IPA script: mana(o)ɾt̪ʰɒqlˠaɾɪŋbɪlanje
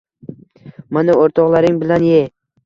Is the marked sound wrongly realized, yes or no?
no